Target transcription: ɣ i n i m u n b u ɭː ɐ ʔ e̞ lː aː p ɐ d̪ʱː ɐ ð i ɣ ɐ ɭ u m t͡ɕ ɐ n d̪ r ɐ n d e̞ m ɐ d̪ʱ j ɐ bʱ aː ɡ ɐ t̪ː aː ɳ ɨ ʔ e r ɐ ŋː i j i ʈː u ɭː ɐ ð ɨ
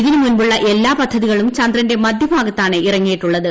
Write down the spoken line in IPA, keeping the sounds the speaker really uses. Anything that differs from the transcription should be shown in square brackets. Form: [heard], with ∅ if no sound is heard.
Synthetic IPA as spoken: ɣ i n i m u n b u ɭː ɐ ʔ e̞ lː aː p ɐ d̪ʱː ɐ ð i ɣ ɐ ɭ u m t͡ɕ ɐ n d̪ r ɐ n d e̞ m ɐ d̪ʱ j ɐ bʱ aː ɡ ɐ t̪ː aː ɳ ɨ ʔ [i] r ɐ ŋː i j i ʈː u ɭː ɐ ð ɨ